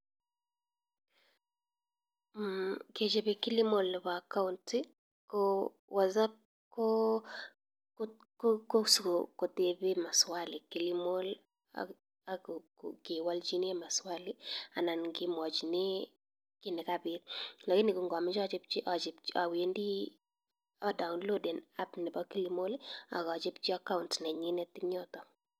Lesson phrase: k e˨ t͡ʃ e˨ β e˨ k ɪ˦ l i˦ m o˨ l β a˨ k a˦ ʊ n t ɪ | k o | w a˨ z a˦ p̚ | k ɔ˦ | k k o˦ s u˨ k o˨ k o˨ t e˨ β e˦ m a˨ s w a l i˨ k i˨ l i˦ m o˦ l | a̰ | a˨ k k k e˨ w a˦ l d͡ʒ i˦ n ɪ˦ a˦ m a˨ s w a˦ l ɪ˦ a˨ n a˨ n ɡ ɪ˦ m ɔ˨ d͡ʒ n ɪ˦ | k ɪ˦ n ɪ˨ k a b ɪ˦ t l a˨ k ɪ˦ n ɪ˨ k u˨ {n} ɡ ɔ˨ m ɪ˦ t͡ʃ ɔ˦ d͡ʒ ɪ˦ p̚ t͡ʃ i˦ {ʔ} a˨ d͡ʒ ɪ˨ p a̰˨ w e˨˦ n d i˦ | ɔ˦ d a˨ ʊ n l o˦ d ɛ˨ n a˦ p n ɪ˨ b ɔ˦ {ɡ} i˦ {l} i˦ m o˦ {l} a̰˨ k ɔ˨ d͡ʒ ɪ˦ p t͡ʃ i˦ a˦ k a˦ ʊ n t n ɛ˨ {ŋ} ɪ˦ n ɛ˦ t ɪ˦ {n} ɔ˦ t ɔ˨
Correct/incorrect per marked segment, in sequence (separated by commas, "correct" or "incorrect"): incorrect, correct, incorrect, correct, correct, incorrect, incorrect